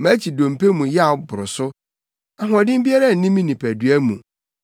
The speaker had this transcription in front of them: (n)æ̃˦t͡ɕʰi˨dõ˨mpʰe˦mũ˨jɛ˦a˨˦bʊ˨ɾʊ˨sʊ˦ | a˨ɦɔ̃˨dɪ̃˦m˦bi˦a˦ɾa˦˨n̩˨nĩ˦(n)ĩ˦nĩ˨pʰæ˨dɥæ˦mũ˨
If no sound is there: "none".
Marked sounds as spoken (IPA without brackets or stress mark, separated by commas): m, m